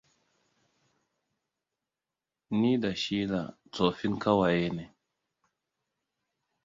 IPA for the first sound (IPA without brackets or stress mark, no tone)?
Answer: n